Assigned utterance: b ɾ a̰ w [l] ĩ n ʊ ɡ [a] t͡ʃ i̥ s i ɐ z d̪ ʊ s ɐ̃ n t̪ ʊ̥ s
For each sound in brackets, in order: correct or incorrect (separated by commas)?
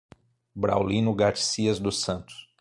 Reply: correct, correct